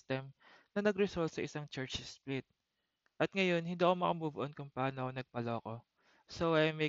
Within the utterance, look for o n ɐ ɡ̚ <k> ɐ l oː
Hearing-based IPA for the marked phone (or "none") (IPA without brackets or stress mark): p